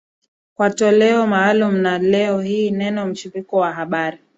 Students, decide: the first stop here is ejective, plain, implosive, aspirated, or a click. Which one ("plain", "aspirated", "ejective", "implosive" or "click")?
plain